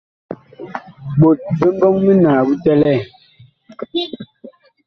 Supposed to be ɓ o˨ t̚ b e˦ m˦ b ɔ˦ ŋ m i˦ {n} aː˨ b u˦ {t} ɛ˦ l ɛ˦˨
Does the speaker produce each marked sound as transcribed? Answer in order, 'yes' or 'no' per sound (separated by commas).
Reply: yes, yes